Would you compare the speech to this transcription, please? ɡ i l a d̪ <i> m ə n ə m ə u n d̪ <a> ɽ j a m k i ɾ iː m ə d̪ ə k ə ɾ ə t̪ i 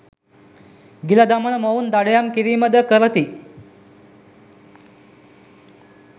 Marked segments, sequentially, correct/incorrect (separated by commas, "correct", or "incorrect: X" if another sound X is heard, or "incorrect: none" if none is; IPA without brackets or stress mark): incorrect: a, correct